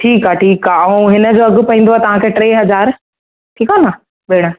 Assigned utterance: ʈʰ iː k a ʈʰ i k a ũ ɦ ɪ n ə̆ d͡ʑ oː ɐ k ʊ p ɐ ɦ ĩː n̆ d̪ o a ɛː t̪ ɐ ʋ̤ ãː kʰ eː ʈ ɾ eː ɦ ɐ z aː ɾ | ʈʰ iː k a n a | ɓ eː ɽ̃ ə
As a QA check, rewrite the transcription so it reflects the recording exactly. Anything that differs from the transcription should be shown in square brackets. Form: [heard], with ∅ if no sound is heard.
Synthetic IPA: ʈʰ iː k a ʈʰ [iː] k a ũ ɦ ɪ n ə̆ d͡ʑ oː ɐ [ɡ] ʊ p ɐ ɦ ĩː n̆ d̪ o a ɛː t̪ ɐ ʋ̤ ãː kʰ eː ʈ ɾ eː ɦ ɐ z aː ɾ | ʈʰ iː k a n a | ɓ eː ɽ̃ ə